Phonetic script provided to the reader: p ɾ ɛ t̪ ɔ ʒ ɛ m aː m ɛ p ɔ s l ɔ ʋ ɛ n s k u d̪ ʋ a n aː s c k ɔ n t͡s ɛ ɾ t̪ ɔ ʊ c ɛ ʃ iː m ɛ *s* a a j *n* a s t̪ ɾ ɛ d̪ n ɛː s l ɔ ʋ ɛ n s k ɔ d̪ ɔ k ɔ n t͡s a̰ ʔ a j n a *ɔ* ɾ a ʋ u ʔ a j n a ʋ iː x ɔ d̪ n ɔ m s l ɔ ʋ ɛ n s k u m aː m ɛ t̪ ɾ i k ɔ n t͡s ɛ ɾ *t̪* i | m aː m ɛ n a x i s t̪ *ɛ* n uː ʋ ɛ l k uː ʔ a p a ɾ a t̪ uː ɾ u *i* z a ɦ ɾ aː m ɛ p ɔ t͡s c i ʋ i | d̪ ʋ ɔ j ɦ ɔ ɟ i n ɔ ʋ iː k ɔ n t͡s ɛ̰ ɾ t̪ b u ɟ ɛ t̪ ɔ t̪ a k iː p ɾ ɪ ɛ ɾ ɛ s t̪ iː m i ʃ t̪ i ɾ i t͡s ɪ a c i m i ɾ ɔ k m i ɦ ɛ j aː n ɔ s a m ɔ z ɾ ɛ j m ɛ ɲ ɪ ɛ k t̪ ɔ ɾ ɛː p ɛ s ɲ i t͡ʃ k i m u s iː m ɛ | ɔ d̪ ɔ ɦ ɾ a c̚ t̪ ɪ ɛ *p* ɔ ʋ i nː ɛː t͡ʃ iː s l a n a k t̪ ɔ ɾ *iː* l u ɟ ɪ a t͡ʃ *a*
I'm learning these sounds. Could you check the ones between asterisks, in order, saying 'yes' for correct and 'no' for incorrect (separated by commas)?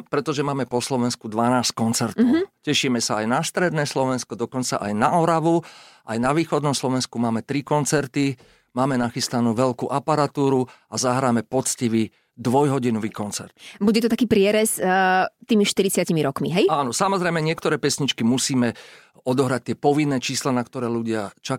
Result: yes, yes, yes, yes, no, no, yes, no, yes